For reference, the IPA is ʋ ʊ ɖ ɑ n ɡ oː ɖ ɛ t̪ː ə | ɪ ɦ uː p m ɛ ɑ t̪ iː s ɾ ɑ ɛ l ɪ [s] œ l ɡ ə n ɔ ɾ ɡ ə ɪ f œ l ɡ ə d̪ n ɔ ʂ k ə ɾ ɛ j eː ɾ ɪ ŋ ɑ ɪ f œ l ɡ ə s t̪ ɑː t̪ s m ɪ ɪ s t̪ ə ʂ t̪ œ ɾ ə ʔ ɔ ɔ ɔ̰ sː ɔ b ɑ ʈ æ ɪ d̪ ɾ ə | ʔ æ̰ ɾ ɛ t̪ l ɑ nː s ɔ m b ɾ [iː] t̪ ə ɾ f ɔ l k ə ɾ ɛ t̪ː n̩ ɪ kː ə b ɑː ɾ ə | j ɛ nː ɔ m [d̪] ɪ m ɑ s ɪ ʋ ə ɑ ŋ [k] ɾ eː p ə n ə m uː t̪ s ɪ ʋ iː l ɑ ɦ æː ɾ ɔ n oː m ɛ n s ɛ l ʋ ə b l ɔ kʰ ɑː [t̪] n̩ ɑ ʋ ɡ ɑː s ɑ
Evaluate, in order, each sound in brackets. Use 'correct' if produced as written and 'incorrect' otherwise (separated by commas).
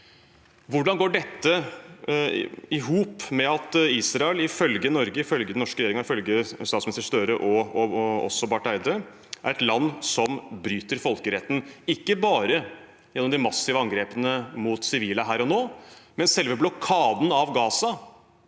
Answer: incorrect, incorrect, correct, incorrect, incorrect